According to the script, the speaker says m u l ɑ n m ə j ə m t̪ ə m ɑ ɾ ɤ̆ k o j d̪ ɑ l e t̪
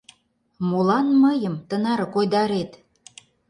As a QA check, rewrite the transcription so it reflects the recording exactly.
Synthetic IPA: m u l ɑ n m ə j ə m t̪ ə n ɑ ɾ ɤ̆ k o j d̪ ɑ ɾ e t̪